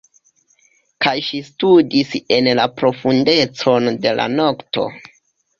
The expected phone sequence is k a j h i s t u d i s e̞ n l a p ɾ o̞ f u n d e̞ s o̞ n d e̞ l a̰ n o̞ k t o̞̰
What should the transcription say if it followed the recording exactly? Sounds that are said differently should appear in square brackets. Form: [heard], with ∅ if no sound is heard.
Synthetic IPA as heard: k a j [ʃ] i s t u d i s e̞ n l a p ɾ o̞ f u n d e̞ [t͡s] o̞ n d e̞ l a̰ n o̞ k t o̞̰